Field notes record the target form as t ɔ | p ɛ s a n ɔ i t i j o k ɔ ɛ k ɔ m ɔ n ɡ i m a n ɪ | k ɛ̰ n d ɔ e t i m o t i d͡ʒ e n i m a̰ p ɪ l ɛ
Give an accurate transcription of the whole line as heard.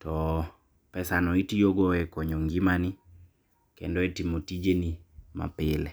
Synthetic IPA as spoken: t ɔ | p ɛ s a n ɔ i t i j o ɡ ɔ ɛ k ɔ ɲ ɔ ŋ ɡ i m a n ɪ | k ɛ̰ n d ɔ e t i m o t i d͡ʒ e n i m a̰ p ɪ l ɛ

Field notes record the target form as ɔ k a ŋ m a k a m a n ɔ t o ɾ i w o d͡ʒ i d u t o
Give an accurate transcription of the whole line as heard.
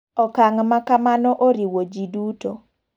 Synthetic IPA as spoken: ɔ k a ŋ m a k a m a n ɔ ʔ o ɾ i w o d͡ʒ i d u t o

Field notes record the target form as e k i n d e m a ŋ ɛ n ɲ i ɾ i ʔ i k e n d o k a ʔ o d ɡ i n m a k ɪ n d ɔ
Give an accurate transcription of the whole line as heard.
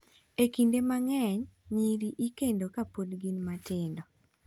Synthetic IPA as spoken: e k i n d e m a ŋ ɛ ɲ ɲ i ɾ i ʔ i k e n d o k a p o d ɡ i n m a t ɪ n d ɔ

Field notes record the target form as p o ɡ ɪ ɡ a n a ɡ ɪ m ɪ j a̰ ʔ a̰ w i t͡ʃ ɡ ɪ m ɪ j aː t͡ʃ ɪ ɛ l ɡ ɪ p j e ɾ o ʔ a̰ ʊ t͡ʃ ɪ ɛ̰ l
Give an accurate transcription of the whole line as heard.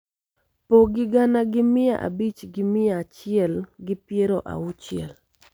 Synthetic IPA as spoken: p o ɡ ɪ ɡ a n a ɡ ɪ m ɪ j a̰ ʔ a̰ b i t͡ʃ ɡ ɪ m ɪ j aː t͡ʃ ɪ ɛ l ɡ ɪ p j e ɾ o ʔ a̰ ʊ t͡ʃ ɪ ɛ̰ l

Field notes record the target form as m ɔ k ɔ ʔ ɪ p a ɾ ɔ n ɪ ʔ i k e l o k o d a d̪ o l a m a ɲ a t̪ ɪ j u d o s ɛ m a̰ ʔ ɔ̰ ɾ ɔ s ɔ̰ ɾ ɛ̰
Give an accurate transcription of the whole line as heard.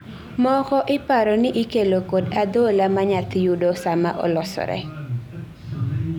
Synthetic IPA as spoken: m ɔ k ɔ ʔ ɪ p a ɾ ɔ n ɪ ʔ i k e l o k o d a d̪ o l a m a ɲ a t̪ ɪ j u d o s a m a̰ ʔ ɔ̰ l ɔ s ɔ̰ ɾ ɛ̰

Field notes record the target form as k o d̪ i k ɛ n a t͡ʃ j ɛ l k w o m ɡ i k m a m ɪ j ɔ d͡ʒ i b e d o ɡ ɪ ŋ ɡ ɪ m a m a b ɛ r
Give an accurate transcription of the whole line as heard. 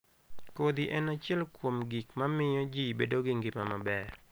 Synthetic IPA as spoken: k o d̪ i ʔ ɛ n a t͡ʃ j ɛ l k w o m ɡ i k m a m ɪ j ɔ d͡ʒ i b e d o ɡ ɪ ŋ ɡ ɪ m a m a b ɛ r

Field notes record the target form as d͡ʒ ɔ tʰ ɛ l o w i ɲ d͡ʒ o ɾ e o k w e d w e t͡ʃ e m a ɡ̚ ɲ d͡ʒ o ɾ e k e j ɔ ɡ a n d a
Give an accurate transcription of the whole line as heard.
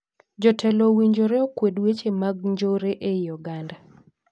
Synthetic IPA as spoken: d͡ʒ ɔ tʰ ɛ l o w i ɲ d͡ʒ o ɾ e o k w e d w e t͡ʃ e m a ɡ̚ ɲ d͡ʒ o ɾ e ʔ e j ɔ ɡ a n d a

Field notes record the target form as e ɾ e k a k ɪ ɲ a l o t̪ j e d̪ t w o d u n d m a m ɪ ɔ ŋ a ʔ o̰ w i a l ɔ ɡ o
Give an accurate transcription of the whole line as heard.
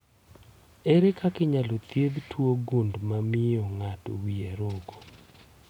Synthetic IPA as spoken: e ɾ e k a k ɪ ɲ a l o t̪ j e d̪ t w o ɡ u n d m a m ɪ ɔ ŋ a t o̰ w i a ɾ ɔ ɡ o

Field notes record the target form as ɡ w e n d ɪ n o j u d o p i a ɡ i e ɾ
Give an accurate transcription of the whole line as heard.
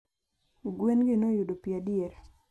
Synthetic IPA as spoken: ɡ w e n ɡ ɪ n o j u d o p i a d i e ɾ

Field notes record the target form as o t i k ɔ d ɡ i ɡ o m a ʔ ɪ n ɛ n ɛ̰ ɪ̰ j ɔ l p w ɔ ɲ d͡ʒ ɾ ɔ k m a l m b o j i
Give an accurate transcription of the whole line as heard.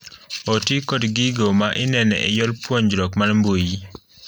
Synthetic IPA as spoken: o t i k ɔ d ɡ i ɡ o m a ʔ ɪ n ɛ n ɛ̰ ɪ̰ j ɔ l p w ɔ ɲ d͡ʒ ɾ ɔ k m a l m b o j i

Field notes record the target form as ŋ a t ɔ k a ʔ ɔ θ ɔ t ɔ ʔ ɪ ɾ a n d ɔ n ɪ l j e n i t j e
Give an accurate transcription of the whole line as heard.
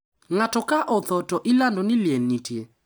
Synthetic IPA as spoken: ŋ a t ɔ k a ʔ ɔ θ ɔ t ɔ ʔ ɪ l a n d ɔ n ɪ l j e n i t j e

